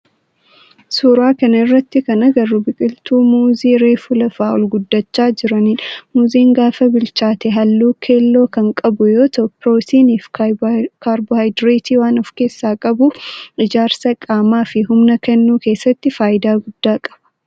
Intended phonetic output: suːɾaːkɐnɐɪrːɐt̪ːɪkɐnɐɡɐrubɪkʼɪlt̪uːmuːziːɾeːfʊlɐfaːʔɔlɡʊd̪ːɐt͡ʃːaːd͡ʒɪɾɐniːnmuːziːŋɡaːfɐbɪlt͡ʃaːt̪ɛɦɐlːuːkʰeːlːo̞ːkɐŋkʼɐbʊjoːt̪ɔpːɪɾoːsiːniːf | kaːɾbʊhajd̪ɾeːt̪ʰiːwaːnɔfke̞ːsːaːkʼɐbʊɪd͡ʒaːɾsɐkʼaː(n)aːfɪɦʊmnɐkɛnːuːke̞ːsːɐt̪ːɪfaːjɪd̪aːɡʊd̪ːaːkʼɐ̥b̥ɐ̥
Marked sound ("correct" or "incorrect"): incorrect